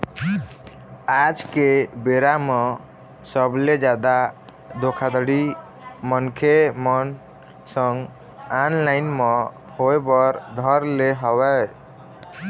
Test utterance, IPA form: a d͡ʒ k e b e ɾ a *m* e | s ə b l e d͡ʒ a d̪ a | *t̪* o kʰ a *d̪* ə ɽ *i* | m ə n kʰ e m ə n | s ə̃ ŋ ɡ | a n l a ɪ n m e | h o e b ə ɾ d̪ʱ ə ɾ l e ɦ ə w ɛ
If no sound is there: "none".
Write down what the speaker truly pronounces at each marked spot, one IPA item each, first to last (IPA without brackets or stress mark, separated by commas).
m, d̪, d̪, i